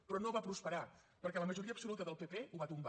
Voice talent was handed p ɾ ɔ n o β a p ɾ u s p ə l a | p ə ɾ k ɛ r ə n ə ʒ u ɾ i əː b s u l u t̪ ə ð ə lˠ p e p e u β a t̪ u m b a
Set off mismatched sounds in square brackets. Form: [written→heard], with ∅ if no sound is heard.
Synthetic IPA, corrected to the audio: p ɾ ɔ n o β a p ɾ u s p ə [l→ɾ] a | p ə ɾ k ɛ [r→l] ə [n→m] ə ʒ u ɾ i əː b s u l u t̪ ə ð ə lˠ p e p e u β a t̪ u m b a

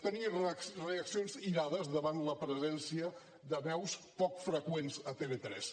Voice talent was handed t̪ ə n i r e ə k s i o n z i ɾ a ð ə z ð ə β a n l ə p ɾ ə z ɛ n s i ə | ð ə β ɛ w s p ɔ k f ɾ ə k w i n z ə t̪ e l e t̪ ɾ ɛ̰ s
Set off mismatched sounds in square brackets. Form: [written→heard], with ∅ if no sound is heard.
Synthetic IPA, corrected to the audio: t̪ ə n i r e ə k s i o n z i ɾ a ð ə z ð ə β a n l ə p ɾ ə z ɛ n s i ə | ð ə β ɛ w s p ɔ k f ɾ ə k w [i→e] n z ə t̪ e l e t̪ ɾ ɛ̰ s

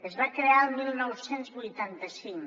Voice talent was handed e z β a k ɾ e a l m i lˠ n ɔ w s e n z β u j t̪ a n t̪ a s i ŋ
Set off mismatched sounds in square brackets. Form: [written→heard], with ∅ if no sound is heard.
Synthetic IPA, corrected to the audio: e z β a k ɾ e a l m i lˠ n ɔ w s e n z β u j t̪ a n t̪ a s i ŋ

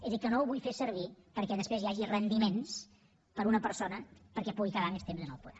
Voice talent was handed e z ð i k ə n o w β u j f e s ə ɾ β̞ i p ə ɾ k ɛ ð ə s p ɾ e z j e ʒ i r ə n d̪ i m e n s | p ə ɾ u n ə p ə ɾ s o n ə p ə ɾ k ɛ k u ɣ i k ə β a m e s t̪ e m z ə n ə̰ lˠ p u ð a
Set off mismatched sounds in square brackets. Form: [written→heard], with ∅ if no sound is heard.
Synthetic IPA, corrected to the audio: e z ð i k ə n o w β u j f e s ə ɾ β̞ i p ə ɾ k ɛ ð ə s p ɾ e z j [e→a] ʒ i r ə n d̪ i m e n s | p ə ɾ u n ə p ə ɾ s o n ə p ə ɾ k ɛ [k→p] u ɣ i k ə β a m e s t̪ e m z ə n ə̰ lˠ p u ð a

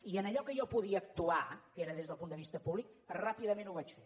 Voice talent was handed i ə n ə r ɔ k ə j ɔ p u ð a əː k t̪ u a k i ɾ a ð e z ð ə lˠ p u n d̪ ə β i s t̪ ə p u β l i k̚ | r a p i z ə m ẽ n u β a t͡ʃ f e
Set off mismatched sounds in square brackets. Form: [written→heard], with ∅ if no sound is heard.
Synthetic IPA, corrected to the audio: i ə n ə [r→ʎ] ɔ k ə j ɔ p u ð [a→i] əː k t̪ u a k [i→e] ɾ [a→ə] ð e z ð ə lˠ p u n d̪ ə β i s t̪ ə p u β l i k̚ | r a p i [z→ð] ə m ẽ n u β a t͡ʃ f e

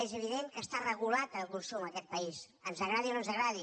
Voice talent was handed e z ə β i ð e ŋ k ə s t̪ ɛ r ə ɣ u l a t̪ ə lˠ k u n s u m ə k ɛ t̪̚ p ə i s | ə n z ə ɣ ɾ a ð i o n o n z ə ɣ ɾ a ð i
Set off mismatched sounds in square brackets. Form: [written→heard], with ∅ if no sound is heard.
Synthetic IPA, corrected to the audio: e z ə β i ð e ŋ k ə s t̪ [ɛ→a] r ə ɣ u l a t̪ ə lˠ k u n s u m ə k ɛ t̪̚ p ə i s | ə n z ə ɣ ɾ a ð i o n o n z ə ɣ ɾ a ð i

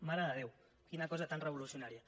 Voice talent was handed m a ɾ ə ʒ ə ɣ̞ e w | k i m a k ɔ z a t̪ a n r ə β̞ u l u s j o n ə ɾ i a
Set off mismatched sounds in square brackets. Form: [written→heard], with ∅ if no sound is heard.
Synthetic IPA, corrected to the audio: m a ɾ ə [ʒ→ð] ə [ɣ̞→ð̞] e w | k i [m→n] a k ɔ z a t̪ a n r ə β̞ u l u s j [o→u] n [ə→a] ɾ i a

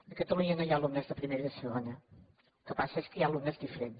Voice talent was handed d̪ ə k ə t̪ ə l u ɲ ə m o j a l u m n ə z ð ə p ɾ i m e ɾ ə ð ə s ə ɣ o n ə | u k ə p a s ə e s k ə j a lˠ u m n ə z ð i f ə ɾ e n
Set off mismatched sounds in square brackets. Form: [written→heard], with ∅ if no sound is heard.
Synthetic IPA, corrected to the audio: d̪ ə k ə t̪ ə l u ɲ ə [m→n] o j a l u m n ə z ð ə p ɾ i m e ɾ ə ð ə s ə ɣ o n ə | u k ə p a s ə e s k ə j a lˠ u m n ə z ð i f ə ɾ e n

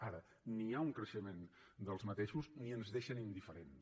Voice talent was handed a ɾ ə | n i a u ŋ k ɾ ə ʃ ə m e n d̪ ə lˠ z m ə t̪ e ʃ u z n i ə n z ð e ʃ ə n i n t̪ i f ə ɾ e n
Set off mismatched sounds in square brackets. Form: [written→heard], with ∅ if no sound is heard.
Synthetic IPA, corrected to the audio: a ɾ ə | n i a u ŋ k ɾ ə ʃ ə m e n d̪ ə lˠ z m ə t̪ e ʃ u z n i ə n z ð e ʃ ə n i n [t̪→d̪] i f ə ɾ e n

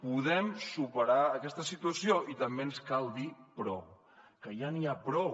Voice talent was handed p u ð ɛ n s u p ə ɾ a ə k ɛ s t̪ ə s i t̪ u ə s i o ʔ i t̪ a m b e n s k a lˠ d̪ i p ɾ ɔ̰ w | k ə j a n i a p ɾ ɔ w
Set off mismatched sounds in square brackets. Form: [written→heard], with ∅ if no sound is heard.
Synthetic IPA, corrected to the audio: p u ð ɛ [n→m] s u p ə ɾ a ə k ɛ s t̪ ə s i t̪ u ə s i o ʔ i t̪ [a→ə] m b e n s k a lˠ d̪ i p ɾ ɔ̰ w | k ə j a n i a p ɾ ɔ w

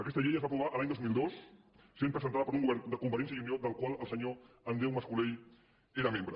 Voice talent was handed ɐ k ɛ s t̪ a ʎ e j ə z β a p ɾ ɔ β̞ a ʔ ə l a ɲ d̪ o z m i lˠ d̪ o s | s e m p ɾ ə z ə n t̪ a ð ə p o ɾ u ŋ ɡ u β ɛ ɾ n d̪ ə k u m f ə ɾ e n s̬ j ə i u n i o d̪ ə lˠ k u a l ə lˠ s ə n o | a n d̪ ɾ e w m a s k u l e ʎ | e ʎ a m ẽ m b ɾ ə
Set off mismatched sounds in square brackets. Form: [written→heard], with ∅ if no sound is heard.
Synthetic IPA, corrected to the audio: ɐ k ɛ s t̪ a ʎ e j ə z β a p ɾ [ɔ→u] β̞ a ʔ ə l a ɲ d̪ o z m i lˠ d̪ o s | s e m p ɾ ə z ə n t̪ a ð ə p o ɾ u ŋ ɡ u β ɛ ɾ n d̪ ə k u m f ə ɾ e n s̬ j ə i u n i o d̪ ə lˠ k [u→w] a l ə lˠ s ə [n→ɲ] o | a n d̪ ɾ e w m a s k u l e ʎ | e [ʎ→ɾ] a m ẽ m b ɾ ə

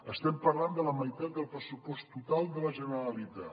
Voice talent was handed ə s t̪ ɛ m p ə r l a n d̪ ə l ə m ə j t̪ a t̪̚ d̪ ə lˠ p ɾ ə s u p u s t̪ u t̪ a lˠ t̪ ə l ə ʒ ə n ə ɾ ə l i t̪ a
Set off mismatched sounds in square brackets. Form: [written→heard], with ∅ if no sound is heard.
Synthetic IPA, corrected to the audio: ə s t̪ ɛ m p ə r l a n d̪ ə l ə m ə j t̪ a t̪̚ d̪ ə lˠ p ɾ ə s u p [u→ɔ] s t̪ u t̪ a lˠ [t̪→d̪] ə l ə ʒ ə n ə ɾ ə l i t̪ a

